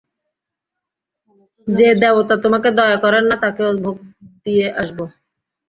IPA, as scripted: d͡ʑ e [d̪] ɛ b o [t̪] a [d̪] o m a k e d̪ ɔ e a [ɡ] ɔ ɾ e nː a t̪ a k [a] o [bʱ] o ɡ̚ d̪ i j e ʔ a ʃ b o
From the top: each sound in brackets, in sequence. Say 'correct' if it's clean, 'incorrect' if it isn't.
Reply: correct, correct, incorrect, incorrect, incorrect, correct

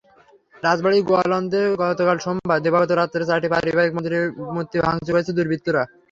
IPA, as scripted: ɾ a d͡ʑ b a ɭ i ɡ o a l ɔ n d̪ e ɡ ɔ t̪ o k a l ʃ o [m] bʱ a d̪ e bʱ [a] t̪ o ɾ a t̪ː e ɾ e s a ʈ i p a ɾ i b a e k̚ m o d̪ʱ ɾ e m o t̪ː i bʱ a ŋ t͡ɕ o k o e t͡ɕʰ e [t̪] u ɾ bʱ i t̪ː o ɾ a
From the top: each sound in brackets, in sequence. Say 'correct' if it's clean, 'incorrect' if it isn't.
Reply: correct, correct, incorrect

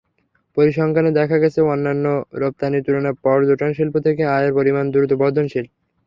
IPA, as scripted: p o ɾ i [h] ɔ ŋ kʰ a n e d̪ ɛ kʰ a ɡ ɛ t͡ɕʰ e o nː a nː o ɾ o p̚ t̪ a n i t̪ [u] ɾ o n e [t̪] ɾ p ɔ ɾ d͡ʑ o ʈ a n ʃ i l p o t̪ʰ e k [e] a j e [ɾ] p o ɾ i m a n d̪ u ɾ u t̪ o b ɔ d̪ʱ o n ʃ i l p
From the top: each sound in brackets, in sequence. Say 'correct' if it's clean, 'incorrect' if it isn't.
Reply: incorrect, correct, incorrect, correct, correct

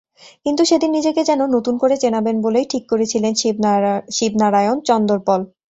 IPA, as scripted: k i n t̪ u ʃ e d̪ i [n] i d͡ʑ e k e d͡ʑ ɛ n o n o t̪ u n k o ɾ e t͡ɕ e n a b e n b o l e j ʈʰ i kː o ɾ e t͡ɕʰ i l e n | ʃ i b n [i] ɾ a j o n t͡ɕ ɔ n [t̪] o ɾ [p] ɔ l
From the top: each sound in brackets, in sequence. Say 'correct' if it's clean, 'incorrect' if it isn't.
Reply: incorrect, incorrect, incorrect, correct

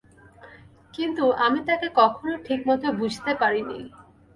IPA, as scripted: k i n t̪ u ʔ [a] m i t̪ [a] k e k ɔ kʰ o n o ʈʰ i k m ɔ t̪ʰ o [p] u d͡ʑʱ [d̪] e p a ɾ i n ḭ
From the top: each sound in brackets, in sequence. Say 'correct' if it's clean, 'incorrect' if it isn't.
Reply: correct, correct, incorrect, incorrect

